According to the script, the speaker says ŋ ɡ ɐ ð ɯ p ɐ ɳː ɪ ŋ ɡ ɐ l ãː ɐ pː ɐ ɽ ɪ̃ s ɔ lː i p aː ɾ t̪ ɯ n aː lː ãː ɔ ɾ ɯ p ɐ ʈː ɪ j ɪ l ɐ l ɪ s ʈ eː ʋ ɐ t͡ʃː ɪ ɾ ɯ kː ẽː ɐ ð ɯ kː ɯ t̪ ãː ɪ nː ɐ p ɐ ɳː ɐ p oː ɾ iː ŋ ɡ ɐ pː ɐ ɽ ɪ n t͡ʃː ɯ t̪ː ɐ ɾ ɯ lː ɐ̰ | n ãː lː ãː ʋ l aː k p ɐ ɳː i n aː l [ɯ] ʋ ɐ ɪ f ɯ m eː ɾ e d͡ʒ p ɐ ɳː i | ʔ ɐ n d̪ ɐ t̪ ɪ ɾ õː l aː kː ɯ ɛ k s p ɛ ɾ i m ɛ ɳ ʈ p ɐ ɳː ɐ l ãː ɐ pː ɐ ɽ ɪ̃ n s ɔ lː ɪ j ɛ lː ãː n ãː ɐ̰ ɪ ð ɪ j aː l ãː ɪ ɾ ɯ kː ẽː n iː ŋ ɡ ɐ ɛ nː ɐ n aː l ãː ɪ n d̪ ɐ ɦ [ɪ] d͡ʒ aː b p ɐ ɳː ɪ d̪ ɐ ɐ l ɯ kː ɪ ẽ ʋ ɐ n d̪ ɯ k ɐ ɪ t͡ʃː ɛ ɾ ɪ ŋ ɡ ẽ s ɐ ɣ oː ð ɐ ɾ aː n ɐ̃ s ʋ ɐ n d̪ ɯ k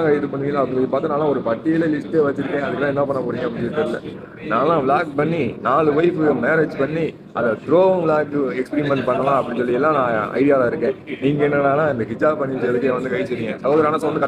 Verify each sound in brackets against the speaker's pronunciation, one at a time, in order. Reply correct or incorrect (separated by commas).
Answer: correct, correct